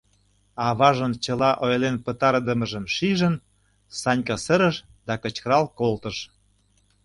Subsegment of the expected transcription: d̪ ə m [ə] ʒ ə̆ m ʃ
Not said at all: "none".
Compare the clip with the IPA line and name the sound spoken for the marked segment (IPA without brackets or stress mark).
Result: ə